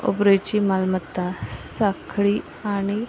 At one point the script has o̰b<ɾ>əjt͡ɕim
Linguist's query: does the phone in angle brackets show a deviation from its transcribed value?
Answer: no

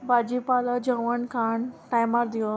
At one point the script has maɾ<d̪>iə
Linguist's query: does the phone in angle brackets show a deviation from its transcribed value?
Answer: no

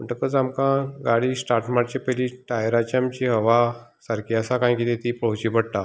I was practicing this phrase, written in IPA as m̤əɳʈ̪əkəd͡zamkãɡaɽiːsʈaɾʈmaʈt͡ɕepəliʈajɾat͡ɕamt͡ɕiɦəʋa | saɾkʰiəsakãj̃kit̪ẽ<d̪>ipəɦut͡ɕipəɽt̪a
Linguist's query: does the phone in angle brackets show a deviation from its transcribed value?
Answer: yes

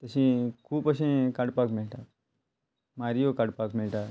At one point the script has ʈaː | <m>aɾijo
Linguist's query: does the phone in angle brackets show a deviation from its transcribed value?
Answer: no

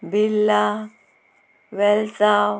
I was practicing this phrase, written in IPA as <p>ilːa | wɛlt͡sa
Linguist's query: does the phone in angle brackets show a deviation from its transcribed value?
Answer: yes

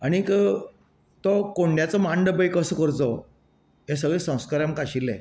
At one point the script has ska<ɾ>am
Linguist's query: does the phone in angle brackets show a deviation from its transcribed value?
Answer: no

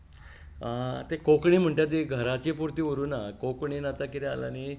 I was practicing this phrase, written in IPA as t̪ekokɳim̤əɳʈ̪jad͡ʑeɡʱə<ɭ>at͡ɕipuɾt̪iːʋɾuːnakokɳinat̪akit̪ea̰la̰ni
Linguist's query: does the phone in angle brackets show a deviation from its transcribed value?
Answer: yes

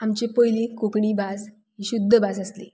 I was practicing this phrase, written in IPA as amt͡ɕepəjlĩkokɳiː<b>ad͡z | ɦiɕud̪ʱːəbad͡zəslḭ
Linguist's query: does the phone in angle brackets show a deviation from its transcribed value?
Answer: no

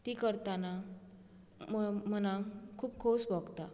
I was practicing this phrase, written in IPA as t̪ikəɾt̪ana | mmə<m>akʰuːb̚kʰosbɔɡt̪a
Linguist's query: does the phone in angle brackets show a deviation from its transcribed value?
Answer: yes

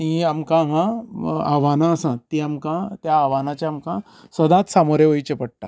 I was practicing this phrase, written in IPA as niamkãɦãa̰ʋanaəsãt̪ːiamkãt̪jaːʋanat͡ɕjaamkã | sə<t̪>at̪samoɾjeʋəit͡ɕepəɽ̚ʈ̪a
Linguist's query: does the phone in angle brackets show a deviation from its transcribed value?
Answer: yes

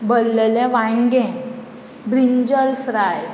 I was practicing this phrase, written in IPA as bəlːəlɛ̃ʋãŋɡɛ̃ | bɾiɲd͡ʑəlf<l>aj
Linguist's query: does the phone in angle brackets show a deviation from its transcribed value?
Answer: yes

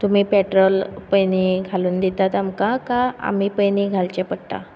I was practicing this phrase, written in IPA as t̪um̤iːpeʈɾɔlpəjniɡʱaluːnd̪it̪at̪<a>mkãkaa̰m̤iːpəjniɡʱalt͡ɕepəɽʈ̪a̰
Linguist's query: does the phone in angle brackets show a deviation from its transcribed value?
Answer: no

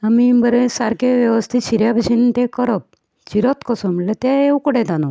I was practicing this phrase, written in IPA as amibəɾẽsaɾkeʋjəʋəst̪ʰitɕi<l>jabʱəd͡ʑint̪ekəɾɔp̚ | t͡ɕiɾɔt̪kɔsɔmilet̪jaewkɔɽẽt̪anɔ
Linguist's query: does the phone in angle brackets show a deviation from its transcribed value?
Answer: yes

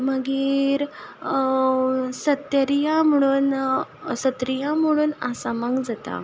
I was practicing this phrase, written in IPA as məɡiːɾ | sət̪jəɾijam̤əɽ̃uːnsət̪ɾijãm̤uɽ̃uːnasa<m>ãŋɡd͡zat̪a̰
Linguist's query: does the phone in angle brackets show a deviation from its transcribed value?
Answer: no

